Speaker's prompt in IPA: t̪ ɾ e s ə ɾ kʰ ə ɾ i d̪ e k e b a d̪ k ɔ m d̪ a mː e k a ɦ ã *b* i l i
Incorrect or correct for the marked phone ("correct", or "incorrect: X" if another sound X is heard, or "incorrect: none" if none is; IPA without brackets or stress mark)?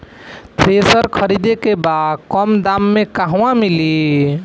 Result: incorrect: m